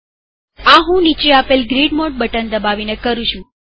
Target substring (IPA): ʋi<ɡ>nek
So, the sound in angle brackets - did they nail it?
no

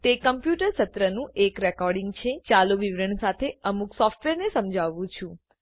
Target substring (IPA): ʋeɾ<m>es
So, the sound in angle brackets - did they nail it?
no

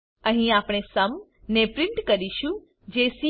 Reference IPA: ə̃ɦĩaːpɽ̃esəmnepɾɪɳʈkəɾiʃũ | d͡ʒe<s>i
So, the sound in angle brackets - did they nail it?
yes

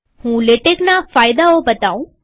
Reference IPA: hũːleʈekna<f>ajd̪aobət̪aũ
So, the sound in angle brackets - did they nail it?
yes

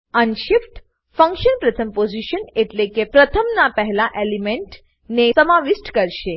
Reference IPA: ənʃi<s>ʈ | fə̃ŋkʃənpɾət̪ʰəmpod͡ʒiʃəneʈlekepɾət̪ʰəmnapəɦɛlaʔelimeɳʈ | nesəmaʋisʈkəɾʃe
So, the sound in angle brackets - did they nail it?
no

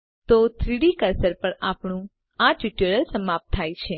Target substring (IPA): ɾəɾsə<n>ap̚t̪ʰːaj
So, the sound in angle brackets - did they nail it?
no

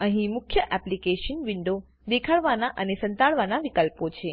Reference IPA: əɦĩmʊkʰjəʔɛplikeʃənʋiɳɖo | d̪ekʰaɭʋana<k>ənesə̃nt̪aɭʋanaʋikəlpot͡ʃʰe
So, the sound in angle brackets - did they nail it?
no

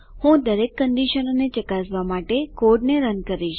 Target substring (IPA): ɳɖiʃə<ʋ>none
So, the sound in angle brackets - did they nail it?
no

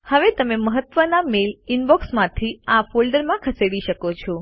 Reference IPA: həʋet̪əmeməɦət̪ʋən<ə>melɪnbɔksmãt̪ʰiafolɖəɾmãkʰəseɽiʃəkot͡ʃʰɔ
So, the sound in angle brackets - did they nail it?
no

